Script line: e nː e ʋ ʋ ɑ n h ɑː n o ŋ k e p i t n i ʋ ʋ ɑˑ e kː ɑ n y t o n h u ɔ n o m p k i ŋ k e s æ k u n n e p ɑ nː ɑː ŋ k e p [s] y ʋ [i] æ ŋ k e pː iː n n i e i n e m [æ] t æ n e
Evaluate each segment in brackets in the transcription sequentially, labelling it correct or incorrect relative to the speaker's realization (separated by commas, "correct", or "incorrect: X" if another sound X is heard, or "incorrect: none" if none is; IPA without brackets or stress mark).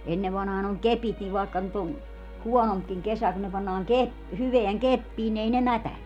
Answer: incorrect: h, incorrect: e, correct